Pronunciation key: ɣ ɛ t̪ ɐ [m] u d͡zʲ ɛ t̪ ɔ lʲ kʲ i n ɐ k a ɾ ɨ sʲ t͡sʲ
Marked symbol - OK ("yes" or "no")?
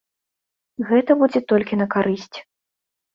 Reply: no